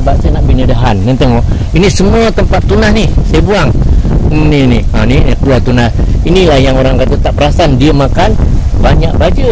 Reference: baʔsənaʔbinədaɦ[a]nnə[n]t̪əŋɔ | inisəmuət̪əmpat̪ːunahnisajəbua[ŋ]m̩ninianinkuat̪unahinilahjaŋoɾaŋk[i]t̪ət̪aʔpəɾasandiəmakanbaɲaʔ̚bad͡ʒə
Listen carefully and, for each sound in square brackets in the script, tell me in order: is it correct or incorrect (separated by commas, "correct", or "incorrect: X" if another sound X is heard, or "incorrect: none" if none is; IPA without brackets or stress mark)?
correct, correct, correct, incorrect: a